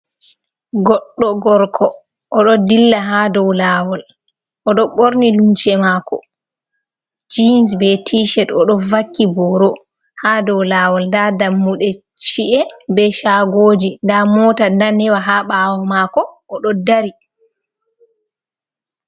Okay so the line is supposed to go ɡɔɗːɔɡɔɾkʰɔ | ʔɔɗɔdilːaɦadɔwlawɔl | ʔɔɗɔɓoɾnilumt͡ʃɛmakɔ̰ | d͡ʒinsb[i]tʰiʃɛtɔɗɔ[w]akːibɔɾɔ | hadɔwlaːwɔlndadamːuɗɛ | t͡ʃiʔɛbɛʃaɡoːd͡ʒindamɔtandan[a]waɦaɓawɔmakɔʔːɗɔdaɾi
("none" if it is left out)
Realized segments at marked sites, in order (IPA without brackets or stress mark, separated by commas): ɛ, v, ɛ